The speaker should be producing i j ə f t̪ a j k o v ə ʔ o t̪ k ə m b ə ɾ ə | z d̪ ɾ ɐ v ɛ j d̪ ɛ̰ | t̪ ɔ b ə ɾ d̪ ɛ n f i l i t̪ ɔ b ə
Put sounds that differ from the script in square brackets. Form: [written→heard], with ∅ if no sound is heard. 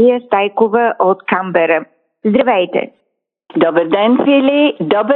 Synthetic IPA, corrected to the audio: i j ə [f→s] t̪ a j k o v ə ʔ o t̪ k [ə→a] m b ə ɾ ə | z d̪ ɾ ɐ v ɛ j [d̪→t̪] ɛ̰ | [t̪→d̪] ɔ b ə ɾ d̪ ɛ n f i l i [t̪→d̪] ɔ b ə